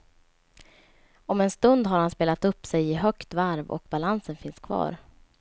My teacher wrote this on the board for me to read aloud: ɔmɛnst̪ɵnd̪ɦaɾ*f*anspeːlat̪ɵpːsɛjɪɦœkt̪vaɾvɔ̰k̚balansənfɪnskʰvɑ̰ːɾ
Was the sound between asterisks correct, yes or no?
no